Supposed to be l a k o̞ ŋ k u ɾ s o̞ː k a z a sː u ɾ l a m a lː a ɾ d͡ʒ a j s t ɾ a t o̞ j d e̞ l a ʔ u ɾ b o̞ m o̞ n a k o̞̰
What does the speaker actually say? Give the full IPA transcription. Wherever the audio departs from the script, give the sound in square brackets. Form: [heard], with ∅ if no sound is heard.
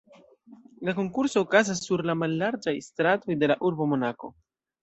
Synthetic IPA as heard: l a k o̞ ŋ k u ɾ s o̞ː k a z a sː u ɾ l a m a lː a ɾ d͡ʒ a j s t ɾ a t o̞ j d e̞ l a ʔ u ɾ b o̞ m o̞ n a k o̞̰